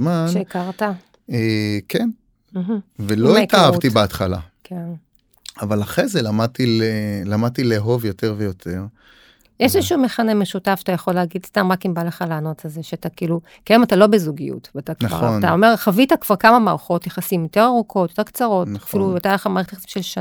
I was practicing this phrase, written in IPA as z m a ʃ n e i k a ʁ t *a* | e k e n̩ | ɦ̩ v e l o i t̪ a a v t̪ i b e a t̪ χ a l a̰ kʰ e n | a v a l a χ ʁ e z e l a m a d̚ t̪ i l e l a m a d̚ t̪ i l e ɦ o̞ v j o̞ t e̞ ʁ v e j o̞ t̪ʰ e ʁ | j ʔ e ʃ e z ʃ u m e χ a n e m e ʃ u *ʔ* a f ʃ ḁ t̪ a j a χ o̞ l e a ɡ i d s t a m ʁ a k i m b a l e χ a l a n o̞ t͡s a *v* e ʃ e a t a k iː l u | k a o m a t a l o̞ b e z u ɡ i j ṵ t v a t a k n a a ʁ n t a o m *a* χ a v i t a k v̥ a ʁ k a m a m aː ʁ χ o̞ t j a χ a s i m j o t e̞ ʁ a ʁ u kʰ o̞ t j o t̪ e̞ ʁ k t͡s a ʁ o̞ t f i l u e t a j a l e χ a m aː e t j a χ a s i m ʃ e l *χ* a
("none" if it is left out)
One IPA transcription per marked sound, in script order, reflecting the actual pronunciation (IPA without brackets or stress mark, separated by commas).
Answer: a, t, z, e, ʃ